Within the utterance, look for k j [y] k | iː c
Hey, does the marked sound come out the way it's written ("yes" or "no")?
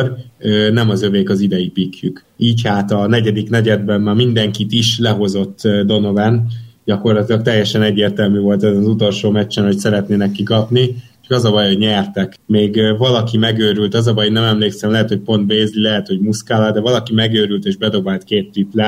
yes